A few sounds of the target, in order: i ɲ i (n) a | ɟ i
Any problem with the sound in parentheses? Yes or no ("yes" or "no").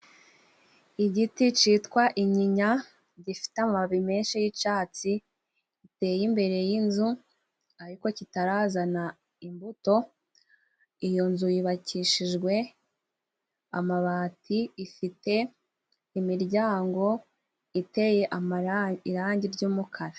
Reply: yes